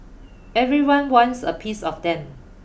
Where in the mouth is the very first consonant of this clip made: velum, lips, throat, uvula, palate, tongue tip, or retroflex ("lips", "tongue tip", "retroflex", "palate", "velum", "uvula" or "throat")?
lips